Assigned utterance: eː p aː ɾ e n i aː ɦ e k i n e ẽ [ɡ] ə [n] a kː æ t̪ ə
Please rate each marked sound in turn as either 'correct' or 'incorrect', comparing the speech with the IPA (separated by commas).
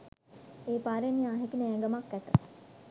correct, incorrect